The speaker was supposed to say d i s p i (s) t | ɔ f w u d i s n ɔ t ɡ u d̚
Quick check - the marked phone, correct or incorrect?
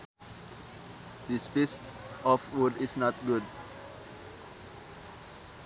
correct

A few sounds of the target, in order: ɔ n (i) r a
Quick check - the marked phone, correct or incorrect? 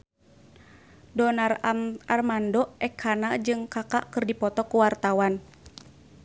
incorrect: a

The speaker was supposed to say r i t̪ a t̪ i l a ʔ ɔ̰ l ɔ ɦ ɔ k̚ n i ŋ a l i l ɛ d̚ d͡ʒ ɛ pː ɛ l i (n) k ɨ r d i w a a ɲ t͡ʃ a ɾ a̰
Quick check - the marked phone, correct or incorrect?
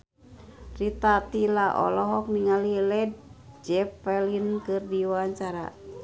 correct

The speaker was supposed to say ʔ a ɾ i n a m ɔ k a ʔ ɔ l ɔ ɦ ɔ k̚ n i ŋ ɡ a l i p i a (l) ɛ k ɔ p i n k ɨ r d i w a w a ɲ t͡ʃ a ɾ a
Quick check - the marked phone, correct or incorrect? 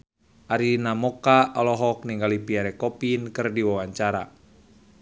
incorrect: ɾ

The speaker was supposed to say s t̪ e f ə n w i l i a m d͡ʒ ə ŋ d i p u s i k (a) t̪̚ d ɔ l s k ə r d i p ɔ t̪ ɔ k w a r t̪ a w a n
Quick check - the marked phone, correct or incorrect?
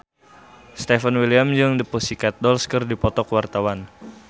correct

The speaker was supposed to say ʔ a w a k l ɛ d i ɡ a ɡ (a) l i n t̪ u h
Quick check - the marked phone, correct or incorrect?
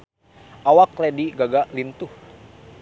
correct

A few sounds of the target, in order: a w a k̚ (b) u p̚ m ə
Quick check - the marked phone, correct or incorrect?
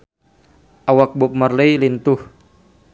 correct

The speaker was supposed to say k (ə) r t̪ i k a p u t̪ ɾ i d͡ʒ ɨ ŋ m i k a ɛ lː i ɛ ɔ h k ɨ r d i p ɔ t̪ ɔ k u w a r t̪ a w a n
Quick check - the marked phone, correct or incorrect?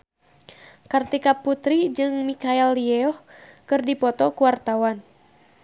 incorrect: a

